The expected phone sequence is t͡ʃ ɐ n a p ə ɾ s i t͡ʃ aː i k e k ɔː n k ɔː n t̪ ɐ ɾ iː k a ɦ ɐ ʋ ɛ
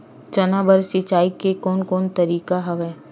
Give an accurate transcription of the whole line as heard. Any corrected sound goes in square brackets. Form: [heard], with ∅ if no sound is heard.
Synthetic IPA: t͡ʃ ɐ n a [b] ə ɾ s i t͡ʃ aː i k e k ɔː n k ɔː n t̪ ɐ ɾ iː k a ɦ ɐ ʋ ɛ